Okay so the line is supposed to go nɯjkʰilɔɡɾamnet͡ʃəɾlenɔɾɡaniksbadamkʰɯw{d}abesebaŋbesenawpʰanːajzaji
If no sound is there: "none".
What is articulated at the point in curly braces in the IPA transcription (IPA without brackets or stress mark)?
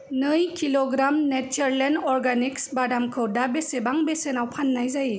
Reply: d